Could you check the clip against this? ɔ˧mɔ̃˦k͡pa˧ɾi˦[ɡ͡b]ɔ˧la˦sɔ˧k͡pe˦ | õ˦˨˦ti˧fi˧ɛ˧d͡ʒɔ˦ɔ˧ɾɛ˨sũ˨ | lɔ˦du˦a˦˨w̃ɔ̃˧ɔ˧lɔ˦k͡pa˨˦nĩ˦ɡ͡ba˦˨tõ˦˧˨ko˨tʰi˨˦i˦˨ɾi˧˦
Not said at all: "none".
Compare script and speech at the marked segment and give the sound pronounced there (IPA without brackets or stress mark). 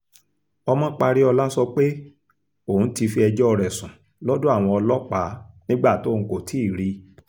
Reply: none